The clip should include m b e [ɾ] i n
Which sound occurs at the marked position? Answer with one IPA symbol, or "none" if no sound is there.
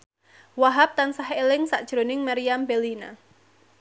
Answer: l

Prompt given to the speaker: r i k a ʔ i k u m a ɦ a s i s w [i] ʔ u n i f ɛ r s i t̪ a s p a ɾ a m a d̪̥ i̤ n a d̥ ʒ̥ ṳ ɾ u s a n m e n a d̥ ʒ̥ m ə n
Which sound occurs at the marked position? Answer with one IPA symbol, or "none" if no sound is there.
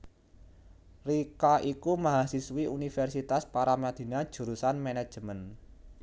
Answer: i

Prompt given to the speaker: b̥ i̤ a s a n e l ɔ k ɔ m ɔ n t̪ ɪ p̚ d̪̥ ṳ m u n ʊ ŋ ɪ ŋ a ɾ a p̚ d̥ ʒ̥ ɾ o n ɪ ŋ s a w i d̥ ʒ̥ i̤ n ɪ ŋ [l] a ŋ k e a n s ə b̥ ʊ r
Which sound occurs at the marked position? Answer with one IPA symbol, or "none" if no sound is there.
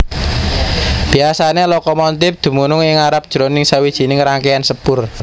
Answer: ɾ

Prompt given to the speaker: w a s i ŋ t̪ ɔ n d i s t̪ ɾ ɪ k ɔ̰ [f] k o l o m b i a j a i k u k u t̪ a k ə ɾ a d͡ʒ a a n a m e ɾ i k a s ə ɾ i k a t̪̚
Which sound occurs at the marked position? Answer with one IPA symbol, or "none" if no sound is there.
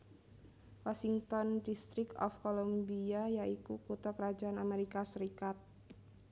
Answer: f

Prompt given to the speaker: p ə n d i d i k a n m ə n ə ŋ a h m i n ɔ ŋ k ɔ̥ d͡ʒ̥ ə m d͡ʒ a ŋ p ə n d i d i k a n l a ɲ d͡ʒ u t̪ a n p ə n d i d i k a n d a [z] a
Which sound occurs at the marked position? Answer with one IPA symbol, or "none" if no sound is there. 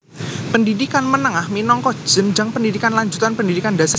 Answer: s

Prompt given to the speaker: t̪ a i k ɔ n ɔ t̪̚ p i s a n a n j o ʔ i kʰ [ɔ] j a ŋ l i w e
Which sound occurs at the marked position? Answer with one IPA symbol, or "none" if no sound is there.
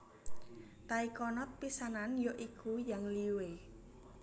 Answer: u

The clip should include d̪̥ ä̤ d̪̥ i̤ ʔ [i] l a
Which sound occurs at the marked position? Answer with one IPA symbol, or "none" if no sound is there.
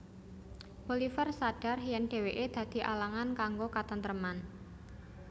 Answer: a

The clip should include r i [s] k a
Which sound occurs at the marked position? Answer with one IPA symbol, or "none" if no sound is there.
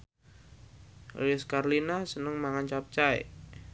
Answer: s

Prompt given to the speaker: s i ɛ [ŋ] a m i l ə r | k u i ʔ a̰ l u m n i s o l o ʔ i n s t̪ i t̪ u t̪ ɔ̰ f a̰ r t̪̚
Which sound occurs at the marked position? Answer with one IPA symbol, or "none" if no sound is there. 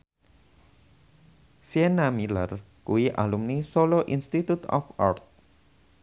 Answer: n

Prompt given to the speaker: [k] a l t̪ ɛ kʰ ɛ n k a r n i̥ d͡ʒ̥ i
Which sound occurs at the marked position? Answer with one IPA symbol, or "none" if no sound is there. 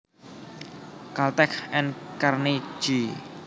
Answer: k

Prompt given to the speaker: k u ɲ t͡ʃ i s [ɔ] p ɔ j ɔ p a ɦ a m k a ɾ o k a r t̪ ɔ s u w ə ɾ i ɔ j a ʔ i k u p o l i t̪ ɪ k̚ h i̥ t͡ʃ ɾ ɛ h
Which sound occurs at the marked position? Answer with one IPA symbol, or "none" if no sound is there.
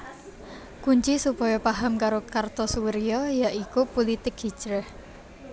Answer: u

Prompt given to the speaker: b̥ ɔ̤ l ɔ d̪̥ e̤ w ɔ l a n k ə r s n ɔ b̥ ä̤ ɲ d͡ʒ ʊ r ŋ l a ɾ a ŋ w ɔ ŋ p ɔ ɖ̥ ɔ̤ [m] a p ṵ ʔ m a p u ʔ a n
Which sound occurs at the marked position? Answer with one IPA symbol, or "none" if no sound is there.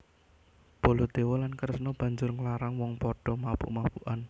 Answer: m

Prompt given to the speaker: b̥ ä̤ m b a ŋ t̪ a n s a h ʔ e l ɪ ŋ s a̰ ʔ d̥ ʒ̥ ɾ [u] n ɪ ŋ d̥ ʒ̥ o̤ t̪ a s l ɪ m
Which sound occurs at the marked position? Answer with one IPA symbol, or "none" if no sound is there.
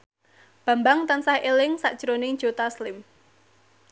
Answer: o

